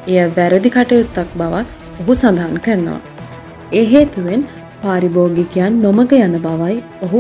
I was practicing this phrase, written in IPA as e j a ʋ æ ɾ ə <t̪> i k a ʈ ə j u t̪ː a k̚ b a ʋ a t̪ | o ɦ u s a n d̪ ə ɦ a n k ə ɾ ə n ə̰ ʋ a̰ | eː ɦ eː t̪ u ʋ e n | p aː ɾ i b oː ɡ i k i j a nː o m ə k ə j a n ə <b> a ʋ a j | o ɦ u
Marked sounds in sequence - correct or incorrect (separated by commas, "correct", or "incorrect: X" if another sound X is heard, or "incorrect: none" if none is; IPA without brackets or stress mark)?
incorrect: d̪, correct